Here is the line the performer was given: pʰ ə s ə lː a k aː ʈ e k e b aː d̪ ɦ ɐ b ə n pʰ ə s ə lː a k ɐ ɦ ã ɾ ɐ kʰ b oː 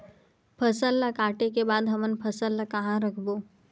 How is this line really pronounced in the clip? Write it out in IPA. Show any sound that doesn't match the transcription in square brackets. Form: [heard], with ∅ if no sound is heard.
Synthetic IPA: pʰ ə s ə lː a k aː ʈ e k e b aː d̪ ɦ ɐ [m] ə n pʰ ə s ə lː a k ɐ ɦ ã ɾ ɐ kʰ b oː